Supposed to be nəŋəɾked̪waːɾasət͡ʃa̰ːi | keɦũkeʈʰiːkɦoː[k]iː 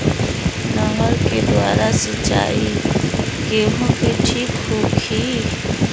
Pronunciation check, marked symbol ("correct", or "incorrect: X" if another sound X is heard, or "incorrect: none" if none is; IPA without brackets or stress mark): incorrect: kʰ